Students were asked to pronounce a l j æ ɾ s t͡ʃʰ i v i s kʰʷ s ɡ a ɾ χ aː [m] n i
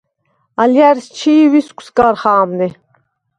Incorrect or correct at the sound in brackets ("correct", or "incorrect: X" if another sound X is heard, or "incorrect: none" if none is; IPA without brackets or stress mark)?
correct